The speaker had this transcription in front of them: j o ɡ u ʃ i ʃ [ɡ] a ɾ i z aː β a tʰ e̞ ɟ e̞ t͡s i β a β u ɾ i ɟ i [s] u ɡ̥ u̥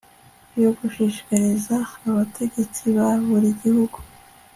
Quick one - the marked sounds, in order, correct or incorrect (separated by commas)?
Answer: incorrect, incorrect